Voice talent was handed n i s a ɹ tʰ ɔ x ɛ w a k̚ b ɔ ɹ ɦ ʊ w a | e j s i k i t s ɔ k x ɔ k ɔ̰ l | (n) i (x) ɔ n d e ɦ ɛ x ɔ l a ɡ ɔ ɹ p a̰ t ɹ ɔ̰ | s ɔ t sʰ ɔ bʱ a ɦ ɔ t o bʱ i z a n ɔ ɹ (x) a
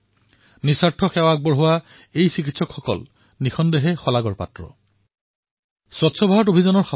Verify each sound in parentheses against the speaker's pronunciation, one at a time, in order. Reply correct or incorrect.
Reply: correct, correct, correct

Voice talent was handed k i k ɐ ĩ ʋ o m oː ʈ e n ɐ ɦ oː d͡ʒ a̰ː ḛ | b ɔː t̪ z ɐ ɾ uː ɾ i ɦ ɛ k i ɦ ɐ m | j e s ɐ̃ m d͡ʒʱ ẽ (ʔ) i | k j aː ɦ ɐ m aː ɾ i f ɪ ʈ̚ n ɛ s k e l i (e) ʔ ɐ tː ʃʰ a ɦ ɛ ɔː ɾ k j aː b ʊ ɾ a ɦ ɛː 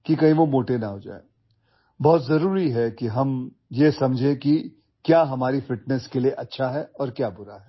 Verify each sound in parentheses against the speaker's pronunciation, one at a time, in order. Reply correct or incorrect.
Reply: incorrect, correct

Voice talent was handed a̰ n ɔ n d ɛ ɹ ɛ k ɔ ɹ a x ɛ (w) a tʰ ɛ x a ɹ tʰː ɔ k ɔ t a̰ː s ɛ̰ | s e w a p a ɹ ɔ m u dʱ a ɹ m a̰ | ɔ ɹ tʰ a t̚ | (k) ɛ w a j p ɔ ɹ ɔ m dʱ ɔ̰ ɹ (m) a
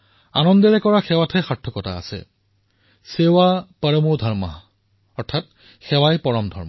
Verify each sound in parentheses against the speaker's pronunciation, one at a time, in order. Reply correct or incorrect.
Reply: correct, incorrect, correct

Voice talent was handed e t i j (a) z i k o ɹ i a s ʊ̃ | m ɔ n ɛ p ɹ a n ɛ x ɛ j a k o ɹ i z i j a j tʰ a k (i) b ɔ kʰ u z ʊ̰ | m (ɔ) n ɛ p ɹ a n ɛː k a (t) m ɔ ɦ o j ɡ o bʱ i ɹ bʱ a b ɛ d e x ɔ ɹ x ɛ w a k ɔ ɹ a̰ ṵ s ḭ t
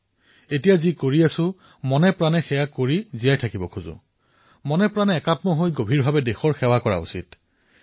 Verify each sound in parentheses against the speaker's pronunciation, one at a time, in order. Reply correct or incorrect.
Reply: correct, correct, correct, correct

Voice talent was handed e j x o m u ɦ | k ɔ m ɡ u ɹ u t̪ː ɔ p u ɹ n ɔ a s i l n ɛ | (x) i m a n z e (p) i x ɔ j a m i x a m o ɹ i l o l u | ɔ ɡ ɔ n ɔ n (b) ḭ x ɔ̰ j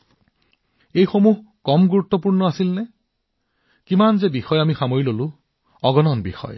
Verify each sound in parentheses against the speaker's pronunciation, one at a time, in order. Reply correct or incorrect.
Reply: incorrect, incorrect, correct

